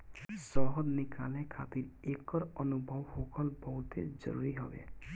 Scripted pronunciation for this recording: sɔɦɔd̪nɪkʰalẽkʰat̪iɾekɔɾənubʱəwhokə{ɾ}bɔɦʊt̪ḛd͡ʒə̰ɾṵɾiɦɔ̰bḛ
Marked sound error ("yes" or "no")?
yes